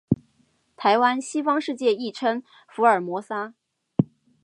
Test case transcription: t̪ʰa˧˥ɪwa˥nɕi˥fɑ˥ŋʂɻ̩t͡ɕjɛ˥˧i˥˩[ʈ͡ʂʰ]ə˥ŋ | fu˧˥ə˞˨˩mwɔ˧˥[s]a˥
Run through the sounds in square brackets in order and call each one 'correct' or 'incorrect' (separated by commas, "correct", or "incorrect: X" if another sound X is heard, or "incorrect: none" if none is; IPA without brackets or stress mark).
correct, correct